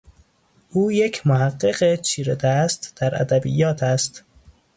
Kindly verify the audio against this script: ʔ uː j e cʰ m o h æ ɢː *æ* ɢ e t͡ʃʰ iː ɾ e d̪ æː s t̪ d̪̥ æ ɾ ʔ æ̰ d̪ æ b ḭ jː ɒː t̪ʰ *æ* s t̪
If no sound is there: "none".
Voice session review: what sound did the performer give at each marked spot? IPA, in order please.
e, æ

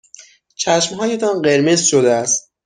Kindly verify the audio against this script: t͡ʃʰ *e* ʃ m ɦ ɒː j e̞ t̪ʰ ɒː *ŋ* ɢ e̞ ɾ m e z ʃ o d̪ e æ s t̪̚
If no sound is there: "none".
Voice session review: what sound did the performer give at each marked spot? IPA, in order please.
æ, n

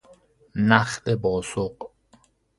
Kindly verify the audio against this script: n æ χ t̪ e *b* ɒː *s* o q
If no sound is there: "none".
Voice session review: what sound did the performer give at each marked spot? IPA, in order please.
b, s

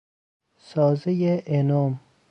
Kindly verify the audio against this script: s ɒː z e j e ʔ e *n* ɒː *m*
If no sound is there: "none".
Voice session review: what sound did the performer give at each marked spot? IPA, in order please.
n, m

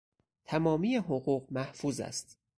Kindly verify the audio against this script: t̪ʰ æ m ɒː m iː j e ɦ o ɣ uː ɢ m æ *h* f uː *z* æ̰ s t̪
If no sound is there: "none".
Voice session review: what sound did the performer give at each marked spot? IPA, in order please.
h, z

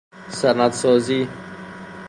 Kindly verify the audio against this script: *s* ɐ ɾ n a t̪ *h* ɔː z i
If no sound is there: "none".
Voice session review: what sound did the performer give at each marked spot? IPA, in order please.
s, s

